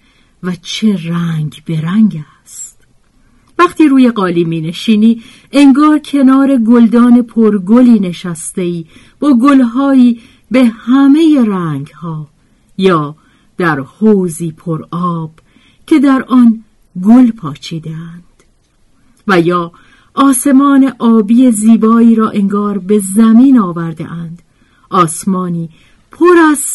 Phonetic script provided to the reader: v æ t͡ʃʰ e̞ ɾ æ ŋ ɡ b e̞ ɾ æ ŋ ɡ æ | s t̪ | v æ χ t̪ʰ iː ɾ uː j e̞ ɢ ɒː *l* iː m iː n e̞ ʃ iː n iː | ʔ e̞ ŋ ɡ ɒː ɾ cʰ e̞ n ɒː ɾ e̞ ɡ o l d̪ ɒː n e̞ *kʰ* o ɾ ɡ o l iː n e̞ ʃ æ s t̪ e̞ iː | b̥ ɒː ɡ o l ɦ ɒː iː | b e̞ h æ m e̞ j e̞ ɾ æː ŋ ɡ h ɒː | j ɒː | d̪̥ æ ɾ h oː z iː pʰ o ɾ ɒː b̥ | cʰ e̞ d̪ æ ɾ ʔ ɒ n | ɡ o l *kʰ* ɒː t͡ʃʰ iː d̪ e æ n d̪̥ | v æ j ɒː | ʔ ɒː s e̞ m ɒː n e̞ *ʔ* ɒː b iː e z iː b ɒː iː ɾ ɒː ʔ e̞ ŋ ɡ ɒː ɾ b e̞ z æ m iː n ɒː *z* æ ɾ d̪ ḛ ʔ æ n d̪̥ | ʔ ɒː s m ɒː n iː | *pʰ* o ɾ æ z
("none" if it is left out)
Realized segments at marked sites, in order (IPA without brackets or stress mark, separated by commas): l, pʰ, pʰ, ʔ, v, pʰ